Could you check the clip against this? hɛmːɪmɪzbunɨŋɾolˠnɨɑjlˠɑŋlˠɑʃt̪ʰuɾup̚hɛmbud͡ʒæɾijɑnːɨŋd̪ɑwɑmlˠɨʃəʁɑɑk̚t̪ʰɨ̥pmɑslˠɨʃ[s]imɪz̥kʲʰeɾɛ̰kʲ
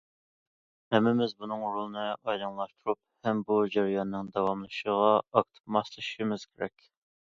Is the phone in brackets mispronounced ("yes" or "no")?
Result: yes